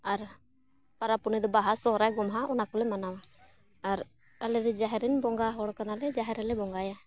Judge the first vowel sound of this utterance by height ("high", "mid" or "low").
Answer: low